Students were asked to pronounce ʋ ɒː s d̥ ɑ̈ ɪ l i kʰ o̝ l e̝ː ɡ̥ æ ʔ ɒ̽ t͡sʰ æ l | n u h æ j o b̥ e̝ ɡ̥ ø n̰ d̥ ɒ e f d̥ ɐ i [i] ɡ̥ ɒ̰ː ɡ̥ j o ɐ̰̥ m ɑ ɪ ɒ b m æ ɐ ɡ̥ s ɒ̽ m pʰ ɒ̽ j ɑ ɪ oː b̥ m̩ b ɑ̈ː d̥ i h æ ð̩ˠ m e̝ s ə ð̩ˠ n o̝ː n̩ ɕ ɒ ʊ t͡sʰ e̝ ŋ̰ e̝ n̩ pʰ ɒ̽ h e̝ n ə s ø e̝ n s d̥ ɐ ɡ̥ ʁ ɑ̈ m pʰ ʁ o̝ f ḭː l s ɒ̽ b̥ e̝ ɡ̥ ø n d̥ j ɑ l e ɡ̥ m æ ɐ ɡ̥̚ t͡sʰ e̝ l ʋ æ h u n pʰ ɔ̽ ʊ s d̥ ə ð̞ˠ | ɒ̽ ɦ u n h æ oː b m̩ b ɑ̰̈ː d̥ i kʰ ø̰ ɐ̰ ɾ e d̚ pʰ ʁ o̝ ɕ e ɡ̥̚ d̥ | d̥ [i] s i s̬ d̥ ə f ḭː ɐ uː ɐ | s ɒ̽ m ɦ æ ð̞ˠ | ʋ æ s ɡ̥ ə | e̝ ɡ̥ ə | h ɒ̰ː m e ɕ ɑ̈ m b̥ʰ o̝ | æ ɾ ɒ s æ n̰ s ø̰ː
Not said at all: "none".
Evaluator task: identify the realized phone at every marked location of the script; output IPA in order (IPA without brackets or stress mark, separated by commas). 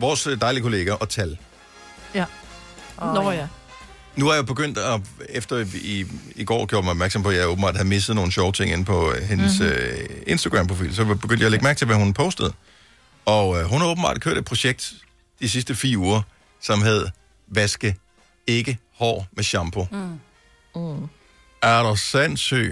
i, i